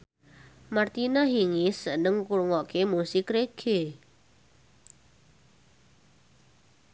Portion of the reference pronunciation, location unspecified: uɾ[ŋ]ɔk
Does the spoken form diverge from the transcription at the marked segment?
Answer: no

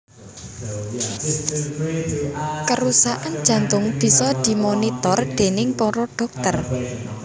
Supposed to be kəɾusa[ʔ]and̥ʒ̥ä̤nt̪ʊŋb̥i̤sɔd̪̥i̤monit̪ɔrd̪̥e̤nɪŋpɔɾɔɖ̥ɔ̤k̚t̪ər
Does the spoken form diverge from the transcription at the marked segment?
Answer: no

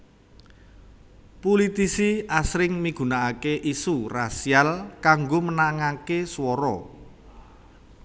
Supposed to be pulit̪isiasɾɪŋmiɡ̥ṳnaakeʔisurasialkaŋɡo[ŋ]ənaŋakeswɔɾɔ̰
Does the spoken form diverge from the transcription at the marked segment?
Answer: yes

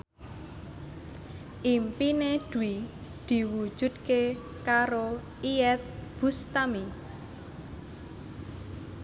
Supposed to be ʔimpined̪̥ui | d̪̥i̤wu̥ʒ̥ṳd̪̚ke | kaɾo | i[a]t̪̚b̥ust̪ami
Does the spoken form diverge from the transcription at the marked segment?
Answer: yes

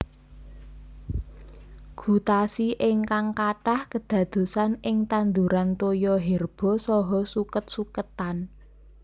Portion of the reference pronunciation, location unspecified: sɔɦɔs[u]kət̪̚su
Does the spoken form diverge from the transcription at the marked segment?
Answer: no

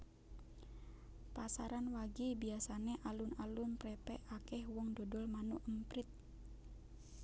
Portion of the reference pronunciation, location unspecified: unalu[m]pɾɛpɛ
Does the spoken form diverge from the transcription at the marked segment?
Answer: yes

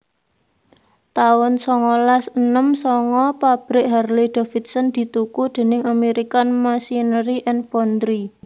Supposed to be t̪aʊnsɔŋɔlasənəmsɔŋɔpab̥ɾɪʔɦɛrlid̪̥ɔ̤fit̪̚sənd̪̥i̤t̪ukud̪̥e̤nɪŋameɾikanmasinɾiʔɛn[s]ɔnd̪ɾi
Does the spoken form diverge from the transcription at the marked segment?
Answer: yes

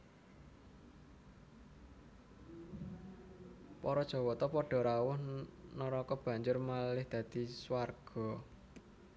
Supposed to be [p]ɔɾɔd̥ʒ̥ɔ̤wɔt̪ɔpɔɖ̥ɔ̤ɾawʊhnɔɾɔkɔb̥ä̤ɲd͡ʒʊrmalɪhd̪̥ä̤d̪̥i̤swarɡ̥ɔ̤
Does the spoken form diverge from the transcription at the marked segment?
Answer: no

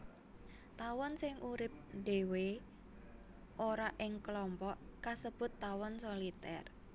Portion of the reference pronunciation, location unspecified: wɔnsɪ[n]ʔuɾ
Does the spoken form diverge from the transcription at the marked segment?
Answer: yes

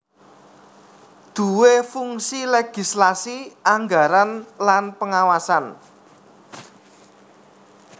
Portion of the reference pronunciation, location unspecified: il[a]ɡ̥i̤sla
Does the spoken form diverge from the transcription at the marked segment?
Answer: yes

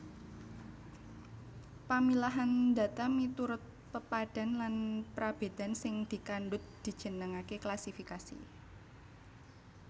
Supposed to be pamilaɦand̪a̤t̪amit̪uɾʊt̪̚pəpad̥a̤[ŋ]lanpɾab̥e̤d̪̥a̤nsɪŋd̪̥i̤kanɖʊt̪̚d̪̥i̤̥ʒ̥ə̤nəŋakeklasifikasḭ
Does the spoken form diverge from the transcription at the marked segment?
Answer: yes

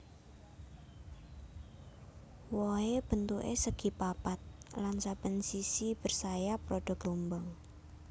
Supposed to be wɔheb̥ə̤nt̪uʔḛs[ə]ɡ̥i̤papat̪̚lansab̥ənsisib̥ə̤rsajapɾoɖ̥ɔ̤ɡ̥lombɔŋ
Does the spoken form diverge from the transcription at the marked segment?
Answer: no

